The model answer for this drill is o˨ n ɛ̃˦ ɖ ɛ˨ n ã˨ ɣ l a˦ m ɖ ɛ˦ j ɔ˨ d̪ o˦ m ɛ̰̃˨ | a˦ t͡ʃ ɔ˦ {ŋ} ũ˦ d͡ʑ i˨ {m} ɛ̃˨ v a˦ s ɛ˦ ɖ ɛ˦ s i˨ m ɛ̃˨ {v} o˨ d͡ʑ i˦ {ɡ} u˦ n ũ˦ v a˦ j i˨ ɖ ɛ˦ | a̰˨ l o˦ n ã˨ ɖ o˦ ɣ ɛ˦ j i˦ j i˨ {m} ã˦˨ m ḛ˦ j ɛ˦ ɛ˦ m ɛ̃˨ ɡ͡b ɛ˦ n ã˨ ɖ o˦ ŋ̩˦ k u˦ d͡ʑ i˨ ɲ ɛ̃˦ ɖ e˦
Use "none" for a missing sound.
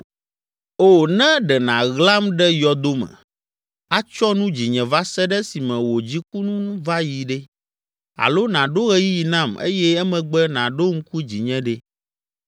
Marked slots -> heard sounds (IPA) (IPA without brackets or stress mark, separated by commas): n, ɲ, w, k, n